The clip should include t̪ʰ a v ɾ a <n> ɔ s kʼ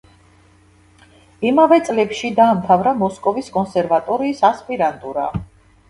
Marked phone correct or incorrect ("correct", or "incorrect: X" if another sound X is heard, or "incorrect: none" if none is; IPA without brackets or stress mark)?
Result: incorrect: m